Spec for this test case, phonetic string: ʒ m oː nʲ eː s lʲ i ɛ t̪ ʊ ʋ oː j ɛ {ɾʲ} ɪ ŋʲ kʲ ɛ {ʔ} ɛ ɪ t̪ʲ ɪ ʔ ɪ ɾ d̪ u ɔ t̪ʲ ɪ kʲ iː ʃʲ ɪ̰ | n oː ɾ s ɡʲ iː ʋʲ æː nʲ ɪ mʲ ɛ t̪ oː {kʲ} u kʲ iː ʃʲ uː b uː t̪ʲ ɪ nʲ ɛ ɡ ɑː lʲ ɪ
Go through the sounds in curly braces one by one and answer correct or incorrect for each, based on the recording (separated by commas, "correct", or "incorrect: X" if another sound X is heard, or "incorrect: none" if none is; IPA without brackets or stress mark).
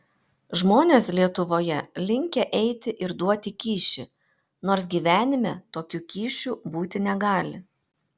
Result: incorrect: lʲ, correct, correct